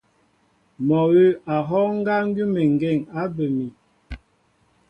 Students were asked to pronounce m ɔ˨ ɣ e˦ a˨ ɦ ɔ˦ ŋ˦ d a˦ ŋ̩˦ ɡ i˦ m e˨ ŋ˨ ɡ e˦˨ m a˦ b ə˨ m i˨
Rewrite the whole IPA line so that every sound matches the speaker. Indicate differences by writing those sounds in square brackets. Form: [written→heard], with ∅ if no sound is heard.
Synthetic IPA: m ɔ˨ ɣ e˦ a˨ ɦ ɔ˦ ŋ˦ [d→ɡ] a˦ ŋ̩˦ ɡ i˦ m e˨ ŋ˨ ɡ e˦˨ [m→ŋ] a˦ b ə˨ m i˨